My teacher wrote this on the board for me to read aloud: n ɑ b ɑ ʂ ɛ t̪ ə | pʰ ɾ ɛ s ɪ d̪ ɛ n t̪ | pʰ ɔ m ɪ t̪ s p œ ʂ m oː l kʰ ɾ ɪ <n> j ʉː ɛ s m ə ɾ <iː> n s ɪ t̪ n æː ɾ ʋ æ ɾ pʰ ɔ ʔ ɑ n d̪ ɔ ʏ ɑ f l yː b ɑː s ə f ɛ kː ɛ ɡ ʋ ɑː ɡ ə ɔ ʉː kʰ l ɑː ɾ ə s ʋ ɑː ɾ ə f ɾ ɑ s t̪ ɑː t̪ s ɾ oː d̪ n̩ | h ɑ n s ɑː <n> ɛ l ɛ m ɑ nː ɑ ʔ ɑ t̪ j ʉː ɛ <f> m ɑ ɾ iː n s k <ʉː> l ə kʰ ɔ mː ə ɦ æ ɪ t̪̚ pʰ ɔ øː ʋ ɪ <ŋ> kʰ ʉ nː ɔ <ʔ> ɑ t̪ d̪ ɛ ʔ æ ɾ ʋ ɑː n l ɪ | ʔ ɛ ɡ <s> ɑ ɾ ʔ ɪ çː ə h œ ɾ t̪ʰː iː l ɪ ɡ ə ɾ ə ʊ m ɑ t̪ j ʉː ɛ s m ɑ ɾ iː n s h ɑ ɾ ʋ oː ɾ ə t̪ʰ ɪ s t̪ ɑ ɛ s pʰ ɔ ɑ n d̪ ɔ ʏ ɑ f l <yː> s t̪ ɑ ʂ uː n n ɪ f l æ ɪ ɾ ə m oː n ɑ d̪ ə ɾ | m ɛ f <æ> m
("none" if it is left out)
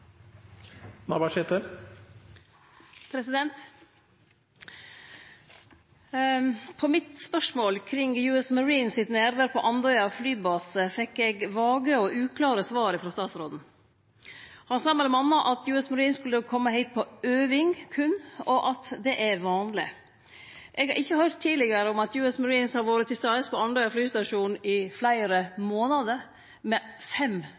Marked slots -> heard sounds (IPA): ŋ, iː, m, s, ʉ, ŋ, ʔ, h, yː, ɛ

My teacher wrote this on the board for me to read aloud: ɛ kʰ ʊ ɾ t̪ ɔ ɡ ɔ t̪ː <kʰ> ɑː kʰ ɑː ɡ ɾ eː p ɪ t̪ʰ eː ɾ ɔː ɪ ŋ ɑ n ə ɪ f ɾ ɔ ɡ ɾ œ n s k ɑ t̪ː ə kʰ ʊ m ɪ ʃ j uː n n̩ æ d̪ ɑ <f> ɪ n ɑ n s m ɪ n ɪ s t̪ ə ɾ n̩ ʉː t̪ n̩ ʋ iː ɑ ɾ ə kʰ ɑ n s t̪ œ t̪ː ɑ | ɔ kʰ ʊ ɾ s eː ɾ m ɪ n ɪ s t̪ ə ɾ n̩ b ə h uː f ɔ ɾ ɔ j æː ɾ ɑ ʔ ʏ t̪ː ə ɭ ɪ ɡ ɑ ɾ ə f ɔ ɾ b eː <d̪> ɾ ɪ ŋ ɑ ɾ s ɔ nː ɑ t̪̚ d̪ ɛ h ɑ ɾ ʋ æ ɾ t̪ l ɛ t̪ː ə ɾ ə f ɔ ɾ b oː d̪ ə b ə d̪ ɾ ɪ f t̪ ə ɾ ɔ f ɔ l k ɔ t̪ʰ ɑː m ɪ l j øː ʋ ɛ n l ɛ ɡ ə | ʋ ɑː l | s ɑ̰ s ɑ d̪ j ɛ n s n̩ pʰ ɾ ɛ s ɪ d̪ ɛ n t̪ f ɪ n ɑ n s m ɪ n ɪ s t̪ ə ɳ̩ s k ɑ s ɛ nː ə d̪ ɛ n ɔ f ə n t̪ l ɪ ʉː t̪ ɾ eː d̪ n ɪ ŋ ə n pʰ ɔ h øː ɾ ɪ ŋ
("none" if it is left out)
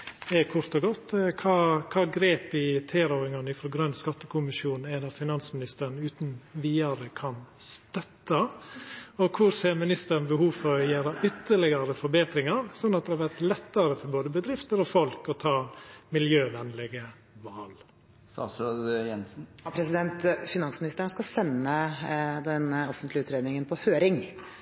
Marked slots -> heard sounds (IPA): kʰ, f, t̪

